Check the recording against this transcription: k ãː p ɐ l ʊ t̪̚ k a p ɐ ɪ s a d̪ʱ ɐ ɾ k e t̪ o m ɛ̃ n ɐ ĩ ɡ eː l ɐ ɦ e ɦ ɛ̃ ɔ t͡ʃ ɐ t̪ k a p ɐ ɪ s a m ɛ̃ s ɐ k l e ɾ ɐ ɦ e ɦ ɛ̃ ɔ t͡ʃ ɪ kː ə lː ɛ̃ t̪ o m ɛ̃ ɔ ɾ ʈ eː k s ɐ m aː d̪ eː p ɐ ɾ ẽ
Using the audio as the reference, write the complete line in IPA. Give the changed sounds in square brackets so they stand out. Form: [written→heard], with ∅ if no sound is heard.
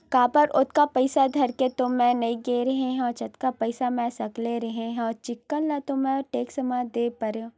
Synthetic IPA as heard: k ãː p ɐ [l→ɾ] ʊ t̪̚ k a p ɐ ɪ s a d̪ʱ ɐ ɾ k e t̪ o m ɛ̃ n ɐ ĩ ɡ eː [l→ɾ] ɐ ɦ e ɦ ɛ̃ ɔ t͡ʃ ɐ t̪ k a p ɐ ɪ s a m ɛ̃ s ɐ k l e ɾ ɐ ɦ e ɦ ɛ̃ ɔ t͡ʃ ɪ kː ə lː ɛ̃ t̪ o m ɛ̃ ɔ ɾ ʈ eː k s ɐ m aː d̪ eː p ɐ ɾ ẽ